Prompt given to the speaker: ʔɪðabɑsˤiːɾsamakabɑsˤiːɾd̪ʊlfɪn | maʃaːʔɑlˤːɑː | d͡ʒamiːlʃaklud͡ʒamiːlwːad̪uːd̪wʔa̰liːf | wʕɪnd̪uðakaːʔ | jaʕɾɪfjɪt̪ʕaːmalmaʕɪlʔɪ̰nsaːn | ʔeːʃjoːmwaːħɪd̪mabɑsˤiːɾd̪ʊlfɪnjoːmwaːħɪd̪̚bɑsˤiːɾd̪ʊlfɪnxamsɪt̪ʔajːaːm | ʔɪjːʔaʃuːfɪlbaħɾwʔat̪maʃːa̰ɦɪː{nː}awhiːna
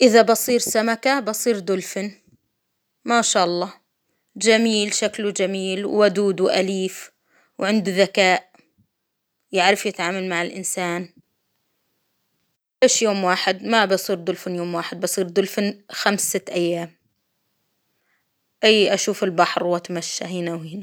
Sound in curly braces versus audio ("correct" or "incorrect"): incorrect